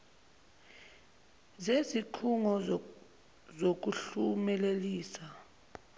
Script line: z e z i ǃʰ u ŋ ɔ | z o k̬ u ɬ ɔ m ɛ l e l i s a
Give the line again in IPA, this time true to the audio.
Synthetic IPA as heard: z e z i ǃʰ u ŋ ɔ | z o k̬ u ɬ u m ɛ l e l iː s a